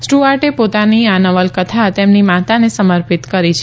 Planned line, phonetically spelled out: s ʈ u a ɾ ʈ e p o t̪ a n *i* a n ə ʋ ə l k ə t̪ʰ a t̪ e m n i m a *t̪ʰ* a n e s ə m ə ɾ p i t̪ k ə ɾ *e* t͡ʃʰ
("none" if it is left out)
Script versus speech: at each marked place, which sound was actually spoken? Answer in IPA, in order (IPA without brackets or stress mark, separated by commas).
i, t̪, i